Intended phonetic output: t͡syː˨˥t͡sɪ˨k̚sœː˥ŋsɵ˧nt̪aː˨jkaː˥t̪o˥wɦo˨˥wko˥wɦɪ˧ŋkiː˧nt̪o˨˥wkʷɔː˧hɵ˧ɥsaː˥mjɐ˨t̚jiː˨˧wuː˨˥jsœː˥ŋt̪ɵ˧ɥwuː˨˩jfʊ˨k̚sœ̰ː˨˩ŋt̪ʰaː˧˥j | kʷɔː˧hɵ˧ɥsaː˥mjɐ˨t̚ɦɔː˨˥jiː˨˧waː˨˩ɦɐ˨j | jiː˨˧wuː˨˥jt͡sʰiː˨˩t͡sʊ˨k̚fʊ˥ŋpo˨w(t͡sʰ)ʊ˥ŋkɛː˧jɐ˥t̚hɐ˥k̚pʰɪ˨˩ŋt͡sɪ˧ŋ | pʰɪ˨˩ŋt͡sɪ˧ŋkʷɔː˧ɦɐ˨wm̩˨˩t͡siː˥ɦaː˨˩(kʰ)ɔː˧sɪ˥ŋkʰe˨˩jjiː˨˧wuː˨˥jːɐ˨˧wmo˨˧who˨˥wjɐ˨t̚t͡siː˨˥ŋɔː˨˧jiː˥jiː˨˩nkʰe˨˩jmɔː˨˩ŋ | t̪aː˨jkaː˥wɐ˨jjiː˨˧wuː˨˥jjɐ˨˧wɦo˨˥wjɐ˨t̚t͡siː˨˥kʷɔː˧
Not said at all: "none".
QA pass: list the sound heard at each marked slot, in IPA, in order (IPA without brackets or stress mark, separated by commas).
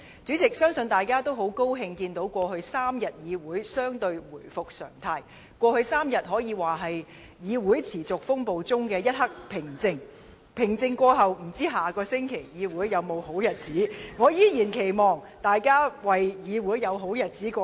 t͡s, k